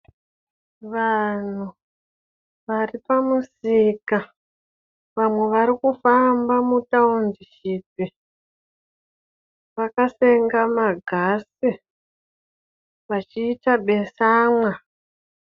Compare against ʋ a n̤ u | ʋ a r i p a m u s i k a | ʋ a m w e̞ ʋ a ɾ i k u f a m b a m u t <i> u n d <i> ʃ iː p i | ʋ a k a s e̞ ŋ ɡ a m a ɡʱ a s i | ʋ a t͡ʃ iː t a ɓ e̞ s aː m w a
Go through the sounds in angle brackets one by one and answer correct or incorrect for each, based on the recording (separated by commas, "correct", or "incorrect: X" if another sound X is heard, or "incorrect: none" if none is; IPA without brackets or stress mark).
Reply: incorrect: a, correct